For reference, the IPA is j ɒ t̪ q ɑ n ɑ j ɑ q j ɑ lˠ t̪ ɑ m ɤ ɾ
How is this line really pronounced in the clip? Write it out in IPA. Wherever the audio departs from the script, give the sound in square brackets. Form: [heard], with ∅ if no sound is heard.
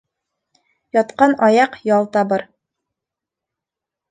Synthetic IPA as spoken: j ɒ t̪ q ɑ n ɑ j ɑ q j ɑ lˠ t̪ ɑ [b] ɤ ɾ